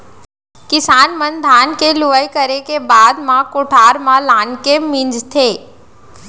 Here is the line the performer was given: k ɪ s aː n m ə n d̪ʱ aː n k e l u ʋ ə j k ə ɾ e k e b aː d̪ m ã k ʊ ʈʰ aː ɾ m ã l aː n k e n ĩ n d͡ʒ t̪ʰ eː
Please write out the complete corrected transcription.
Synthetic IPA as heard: k ɪ s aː n m ə n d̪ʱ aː n k e l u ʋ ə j k ə ɾ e k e b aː d̪ m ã k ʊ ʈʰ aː ɾ m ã l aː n k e m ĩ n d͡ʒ t̪ʰ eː